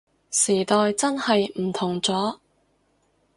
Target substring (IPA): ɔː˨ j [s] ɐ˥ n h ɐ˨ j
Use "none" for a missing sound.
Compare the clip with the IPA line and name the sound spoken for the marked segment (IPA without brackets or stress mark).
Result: t͡s